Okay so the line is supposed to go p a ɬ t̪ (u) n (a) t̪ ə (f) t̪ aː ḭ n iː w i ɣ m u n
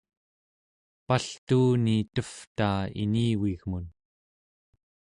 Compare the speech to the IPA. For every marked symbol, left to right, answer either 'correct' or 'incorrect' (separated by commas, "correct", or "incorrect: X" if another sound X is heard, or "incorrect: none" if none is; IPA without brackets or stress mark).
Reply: incorrect: uː, incorrect: i, correct